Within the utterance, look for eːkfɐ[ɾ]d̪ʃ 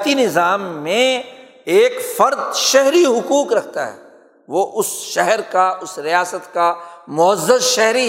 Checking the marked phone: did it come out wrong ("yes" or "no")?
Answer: no